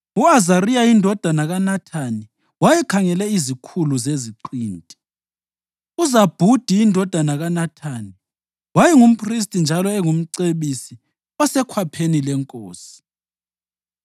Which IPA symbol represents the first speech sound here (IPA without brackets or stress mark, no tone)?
u